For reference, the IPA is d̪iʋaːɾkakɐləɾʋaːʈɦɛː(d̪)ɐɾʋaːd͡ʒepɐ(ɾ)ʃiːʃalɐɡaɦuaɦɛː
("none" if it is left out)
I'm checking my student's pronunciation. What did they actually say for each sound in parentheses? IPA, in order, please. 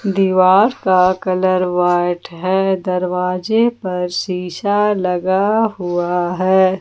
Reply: d̪, ɾ

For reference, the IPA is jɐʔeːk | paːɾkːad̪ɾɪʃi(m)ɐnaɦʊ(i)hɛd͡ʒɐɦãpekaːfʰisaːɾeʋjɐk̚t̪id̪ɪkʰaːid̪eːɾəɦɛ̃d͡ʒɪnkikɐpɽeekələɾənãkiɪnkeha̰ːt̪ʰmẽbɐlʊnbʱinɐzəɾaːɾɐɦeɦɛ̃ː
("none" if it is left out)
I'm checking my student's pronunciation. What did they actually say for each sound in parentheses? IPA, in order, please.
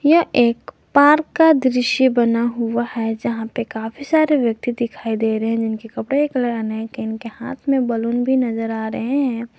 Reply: b, a

